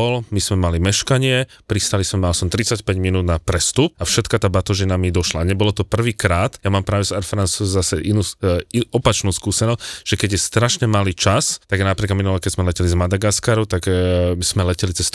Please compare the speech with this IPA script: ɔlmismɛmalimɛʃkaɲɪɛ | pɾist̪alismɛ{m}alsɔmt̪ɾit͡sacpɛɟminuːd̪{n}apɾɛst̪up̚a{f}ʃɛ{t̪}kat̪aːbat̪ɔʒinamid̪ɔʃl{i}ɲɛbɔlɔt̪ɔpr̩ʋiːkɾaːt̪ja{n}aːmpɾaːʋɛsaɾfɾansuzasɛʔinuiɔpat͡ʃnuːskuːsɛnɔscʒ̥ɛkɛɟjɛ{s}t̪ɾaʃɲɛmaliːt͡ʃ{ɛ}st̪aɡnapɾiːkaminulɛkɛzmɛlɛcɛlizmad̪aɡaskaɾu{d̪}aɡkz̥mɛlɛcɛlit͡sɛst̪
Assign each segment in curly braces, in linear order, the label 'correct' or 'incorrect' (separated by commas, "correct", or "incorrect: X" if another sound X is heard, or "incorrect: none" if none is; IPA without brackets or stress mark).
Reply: correct, correct, correct, correct, incorrect: a, incorrect: m, correct, incorrect: a, incorrect: t̪